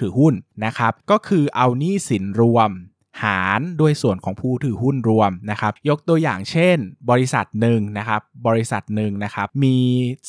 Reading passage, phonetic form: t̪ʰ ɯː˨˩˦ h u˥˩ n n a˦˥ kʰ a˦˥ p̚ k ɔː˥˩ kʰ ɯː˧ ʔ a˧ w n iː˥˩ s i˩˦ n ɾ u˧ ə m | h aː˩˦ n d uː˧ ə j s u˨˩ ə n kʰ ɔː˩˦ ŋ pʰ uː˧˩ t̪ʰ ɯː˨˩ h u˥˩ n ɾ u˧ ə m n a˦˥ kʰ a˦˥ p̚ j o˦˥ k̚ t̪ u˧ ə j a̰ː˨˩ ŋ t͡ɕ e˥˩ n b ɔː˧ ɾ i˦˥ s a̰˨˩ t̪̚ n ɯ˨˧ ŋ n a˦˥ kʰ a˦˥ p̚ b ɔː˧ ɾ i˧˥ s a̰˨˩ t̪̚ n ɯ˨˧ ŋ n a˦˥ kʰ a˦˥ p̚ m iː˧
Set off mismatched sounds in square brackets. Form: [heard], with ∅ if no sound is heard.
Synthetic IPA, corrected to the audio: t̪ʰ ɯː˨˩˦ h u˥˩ n n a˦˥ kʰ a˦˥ p̚ k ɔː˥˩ kʰ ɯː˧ ʔ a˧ w n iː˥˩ s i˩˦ n ɾ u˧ ə m | h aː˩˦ n d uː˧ ə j s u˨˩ ə n kʰ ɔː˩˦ ŋ pʰ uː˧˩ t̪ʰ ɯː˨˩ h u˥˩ n ɾ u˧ ə m n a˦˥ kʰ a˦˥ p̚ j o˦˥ k̚ t̪ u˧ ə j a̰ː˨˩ ŋ [t͡ɕʰ] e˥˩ n b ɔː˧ ɾ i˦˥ s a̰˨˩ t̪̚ n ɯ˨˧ ŋ n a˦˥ kʰ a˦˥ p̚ b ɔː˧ ɾ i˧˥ s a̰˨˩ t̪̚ n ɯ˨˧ ŋ n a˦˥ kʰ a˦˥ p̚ m iː˧